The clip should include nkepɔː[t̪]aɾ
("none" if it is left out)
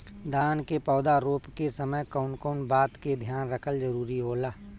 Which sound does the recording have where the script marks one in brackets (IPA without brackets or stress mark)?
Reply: d̪